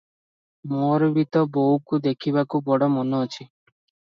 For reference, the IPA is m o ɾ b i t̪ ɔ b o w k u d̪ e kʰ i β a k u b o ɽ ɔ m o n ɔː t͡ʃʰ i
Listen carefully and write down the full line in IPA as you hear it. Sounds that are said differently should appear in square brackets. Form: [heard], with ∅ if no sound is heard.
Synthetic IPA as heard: m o ɾ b i t̪ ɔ b o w k u d̪ e kʰ i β a k u b [ɔ] ɽ ɔ m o n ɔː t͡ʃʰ i